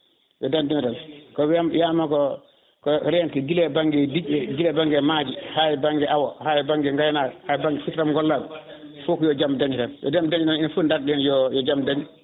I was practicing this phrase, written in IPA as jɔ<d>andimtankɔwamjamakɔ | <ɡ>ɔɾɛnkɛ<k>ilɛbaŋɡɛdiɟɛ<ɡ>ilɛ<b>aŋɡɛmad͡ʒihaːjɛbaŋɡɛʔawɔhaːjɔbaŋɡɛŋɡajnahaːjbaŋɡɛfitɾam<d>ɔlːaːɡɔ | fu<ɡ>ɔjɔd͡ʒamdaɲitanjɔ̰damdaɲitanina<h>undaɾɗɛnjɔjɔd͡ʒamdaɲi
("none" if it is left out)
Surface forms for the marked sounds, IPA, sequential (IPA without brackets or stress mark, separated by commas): d, k, ɡ, ɡ, b, ɡ, k, f